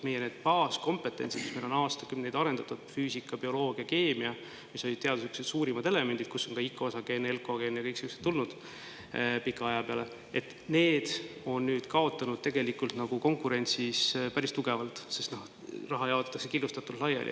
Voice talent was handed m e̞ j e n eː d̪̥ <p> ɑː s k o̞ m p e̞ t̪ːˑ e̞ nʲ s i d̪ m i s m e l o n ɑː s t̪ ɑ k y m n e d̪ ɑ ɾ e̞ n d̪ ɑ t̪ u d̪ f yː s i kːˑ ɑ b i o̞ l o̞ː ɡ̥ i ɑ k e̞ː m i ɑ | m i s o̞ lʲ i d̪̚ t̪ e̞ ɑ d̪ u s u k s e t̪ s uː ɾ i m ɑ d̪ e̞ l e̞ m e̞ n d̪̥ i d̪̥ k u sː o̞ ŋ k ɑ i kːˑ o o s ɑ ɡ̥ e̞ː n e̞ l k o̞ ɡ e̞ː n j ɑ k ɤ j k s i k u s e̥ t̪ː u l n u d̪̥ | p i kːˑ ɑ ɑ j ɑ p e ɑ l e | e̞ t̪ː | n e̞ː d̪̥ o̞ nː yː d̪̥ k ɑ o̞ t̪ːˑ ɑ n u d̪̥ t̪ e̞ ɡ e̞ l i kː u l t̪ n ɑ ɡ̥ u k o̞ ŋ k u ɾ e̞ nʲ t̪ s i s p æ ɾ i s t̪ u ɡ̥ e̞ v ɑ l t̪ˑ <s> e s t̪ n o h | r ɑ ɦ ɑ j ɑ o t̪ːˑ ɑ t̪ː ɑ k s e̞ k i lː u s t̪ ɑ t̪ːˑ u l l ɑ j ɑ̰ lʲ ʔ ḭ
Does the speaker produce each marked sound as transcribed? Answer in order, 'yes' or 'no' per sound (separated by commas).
yes, yes